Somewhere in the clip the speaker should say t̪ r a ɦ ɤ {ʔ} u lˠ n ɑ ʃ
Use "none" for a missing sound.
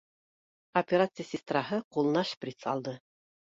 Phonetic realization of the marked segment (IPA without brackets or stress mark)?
q